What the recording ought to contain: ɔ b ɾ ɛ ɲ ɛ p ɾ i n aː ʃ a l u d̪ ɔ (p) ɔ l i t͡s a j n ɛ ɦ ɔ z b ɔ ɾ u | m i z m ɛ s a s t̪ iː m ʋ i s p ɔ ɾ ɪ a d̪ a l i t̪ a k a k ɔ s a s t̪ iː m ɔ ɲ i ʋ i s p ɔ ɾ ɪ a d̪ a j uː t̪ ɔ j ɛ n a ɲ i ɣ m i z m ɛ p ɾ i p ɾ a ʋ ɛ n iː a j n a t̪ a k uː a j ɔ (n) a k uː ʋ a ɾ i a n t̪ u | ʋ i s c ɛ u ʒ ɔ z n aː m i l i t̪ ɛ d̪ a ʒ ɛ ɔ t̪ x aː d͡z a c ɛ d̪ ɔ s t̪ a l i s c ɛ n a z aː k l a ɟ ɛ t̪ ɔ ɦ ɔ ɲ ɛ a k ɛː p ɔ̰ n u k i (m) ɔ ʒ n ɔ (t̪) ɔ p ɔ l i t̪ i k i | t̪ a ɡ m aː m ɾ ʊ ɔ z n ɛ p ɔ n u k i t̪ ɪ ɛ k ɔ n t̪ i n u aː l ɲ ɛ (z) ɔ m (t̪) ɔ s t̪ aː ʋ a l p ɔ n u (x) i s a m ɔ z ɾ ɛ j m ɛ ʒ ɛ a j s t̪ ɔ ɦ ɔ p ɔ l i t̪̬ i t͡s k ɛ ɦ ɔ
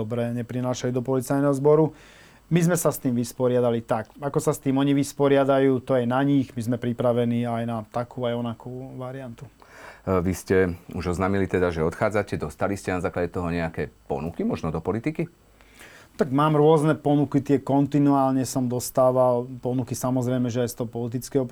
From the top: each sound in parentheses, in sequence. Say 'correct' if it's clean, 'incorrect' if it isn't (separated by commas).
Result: correct, correct, correct, incorrect, incorrect, incorrect, incorrect